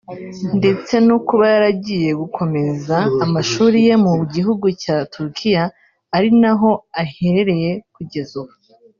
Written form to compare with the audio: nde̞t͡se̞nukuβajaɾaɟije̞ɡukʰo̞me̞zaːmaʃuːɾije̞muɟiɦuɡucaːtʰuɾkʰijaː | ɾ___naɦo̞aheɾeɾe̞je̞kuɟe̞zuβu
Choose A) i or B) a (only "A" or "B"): A